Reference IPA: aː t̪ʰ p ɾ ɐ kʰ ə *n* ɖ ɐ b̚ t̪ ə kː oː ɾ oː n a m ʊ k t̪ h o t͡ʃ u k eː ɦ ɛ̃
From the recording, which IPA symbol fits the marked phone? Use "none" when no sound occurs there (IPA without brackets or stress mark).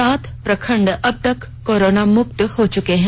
ɳ